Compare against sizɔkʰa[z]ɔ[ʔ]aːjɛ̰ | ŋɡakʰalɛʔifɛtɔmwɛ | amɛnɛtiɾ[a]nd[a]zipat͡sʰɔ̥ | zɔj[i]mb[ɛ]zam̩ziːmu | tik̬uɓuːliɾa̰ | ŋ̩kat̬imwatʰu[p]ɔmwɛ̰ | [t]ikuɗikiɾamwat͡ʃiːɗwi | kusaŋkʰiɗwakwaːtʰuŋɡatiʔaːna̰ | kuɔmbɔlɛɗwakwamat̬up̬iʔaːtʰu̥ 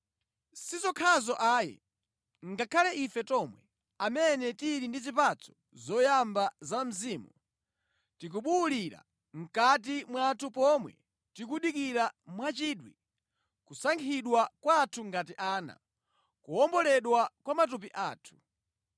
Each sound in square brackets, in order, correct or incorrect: correct, correct, incorrect: i, incorrect: i, incorrect: a, incorrect: a, correct, correct

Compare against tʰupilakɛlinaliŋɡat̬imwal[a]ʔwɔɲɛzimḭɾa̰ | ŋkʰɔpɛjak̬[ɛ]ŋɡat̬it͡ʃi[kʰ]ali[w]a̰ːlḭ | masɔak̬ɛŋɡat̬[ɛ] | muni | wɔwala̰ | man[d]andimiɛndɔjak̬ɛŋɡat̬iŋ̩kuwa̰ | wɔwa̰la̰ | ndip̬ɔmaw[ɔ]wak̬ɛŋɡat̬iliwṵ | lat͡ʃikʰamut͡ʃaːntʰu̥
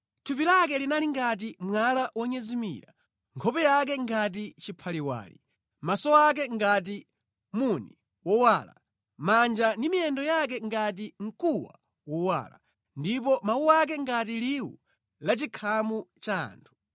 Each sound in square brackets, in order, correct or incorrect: correct, correct, incorrect: pʰ, correct, incorrect: i, incorrect: d͡ʒ, incorrect: u

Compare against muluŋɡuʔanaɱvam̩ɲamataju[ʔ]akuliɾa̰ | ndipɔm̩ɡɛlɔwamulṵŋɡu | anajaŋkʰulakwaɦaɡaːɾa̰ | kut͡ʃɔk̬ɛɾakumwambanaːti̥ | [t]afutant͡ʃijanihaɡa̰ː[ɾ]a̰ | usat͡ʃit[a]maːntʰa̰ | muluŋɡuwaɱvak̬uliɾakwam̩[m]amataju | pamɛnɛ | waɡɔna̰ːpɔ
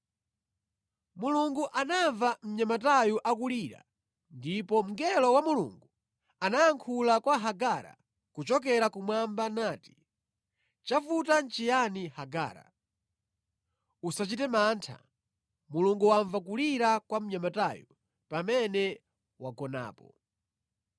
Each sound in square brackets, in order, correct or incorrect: correct, incorrect: t͡ʃ, correct, incorrect: ɛ, incorrect: ɲ

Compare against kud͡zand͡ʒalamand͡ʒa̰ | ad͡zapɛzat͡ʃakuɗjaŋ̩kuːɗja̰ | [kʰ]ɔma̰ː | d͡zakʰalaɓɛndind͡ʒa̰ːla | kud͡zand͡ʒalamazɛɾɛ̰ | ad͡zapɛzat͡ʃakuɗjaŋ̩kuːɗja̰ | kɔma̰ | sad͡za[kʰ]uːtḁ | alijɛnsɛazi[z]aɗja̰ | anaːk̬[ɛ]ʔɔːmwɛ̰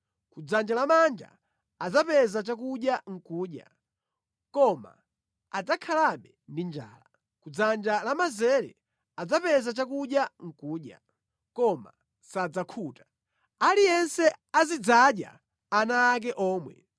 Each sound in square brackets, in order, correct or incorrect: incorrect: k, correct, incorrect: d͡z, correct

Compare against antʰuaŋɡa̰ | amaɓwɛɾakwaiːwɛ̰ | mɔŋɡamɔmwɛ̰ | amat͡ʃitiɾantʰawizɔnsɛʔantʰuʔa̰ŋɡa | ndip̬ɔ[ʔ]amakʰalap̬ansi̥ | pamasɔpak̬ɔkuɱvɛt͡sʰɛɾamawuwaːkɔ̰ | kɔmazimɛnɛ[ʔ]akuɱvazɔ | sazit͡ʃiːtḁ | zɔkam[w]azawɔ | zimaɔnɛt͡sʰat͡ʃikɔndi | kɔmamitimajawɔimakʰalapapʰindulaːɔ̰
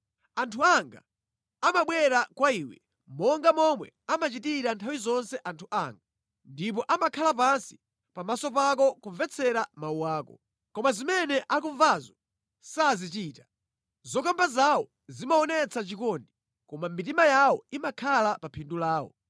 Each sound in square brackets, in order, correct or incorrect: correct, correct, incorrect: b

